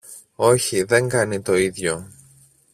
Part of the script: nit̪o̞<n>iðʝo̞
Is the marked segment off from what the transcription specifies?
yes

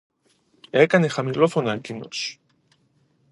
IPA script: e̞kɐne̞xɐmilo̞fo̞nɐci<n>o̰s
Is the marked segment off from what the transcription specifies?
no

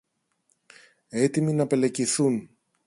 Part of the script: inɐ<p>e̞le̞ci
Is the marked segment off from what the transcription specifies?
no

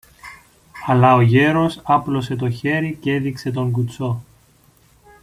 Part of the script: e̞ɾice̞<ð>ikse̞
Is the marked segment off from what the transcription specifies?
no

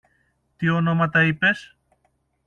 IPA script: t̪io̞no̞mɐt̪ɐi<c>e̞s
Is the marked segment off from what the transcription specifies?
yes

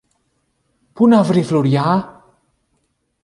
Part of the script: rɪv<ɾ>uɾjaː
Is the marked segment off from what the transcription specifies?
yes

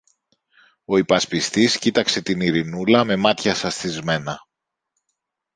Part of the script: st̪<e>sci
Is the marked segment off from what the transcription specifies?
yes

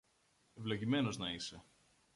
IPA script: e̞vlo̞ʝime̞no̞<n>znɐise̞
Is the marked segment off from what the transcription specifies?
yes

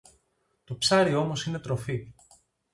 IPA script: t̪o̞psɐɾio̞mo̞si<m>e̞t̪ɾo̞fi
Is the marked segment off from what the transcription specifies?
yes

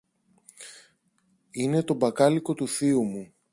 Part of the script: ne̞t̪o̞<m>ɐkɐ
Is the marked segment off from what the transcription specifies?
yes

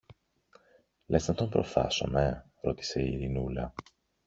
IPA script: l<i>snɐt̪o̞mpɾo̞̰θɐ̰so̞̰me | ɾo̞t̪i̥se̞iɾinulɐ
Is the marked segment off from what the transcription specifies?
yes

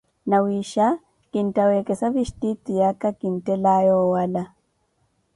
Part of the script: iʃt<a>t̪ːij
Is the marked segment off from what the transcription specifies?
yes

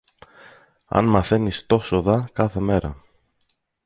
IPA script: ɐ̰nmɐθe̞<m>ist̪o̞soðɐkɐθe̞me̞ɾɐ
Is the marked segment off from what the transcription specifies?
yes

